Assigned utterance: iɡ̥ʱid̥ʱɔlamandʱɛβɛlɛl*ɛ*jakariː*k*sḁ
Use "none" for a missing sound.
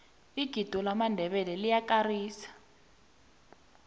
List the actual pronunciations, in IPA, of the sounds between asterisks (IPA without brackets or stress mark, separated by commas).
i, none